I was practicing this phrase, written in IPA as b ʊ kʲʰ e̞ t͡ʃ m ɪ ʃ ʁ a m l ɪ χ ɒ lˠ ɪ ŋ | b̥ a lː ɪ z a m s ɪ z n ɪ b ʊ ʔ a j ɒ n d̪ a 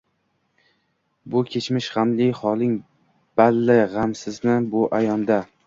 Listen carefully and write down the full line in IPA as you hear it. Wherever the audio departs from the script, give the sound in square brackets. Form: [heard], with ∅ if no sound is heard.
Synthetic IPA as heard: b ʊ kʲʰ e̞ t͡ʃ m ɪ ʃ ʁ a m l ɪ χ ɒ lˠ ɪ ŋ | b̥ a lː ɪ [ʁ] a m s ɪ z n ɪ b ʊ ʔ a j ɒ n d̪ a